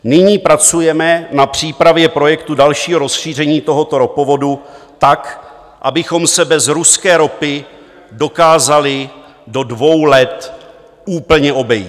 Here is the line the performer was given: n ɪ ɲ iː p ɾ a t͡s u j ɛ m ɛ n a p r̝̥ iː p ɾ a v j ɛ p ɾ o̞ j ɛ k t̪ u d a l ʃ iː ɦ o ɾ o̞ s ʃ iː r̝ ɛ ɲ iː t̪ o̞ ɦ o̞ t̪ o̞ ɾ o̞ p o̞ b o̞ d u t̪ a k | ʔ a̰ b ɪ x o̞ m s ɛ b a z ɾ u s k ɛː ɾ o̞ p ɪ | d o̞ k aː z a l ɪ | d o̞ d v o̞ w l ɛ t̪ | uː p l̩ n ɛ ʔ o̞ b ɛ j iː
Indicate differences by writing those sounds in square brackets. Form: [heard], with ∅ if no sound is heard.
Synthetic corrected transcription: n ɪ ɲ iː p ɾ a t͡s u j ɛ m ɛ n a p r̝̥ iː p ɾ a v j ɛ p ɾ o̞ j ɛ k t̪ u d a l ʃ iː ɦ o ɾ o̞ s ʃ iː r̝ ɛ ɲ iː t̪ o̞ ɦ o̞ t̪ o̞ ɾ o̞ p o̞ [v] o̞ d u t̪ a k | ʔ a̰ b ɪ x o̞ m s ɛ b [ɛ] z ɾ u s k ɛː ɾ o̞ p ɪ | d o̞ k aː z a l ɪ | d o̞ d v o̞ w l ɛ t̪ | uː p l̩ [ɲ] ɛ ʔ o̞ b ɛ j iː